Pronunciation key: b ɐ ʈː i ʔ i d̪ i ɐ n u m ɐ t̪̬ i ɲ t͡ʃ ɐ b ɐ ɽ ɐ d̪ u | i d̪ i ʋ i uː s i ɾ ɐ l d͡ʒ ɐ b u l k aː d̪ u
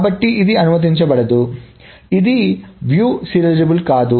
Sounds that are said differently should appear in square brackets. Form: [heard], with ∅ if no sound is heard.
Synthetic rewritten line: b ɐ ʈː i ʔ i d̪ i ɐ n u m ɐ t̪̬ i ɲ t͡ʃ ɐ b ɐ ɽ ɐ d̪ u | i d̪ i ʋ [j] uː s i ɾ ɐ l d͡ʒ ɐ b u l k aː d̪ u